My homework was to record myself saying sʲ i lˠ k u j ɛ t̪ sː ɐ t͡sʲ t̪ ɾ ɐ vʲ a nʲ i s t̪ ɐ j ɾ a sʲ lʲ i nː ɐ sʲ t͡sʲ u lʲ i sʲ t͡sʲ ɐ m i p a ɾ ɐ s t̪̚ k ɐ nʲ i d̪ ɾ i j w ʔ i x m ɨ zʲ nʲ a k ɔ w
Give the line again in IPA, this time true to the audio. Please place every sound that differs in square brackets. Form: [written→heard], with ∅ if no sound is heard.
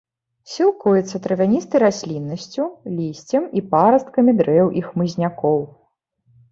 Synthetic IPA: sʲ i lˠ k u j ɛ t̪ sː ɐ [t͡sʲ→∅] t̪ ɾ ɐ vʲ a nʲ i s t̪ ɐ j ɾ a sʲ lʲ i nː ɐ sʲ t͡sʲ u lʲ i sʲ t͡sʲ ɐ m i p a ɾ ɐ s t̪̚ k ɐ [nʲ→mʲ] i d̪ ɾ [i→ɛ] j w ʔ i x m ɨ zʲ nʲ a k ɔ w